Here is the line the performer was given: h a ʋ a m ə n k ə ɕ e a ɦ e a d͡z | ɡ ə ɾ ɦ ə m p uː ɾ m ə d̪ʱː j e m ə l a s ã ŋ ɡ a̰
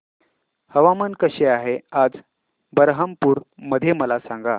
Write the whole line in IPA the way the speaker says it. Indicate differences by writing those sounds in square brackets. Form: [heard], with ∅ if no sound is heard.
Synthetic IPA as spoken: h [ə] ʋ a m ə n k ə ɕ e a ɦ e a d͡z | [b] ə ɾ ɦ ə m p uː ɾ m ə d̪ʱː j e m ə l a s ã ŋ ɡ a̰